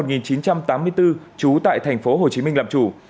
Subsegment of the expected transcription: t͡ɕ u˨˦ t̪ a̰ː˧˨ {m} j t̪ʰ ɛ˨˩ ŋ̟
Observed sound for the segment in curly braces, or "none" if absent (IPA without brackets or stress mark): none